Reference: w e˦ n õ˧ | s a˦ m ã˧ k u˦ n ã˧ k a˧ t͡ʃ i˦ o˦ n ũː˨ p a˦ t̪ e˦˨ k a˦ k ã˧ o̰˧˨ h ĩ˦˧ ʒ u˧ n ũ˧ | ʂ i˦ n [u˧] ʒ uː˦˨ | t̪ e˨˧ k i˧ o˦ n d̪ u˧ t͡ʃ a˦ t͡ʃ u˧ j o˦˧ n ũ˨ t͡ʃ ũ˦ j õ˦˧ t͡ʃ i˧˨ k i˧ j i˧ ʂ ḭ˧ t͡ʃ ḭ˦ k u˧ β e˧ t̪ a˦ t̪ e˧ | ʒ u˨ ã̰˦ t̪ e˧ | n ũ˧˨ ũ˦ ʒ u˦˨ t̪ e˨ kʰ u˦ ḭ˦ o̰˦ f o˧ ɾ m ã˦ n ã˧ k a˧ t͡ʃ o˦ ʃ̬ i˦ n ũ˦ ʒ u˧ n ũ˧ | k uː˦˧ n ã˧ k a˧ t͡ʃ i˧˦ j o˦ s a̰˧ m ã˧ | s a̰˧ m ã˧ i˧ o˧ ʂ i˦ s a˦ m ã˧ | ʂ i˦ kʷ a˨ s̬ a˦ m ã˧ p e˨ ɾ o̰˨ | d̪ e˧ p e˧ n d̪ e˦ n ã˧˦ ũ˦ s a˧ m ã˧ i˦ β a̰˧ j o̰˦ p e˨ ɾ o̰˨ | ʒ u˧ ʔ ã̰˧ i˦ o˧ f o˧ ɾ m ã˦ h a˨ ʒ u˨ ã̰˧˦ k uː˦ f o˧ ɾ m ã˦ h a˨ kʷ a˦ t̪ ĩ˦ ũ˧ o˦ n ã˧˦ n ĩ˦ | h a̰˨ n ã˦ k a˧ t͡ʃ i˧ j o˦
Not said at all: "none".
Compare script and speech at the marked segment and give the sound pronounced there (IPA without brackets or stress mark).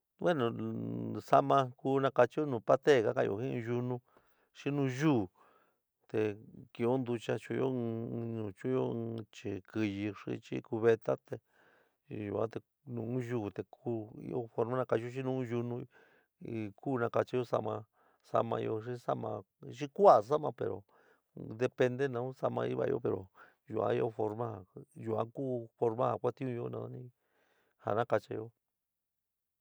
ũ˧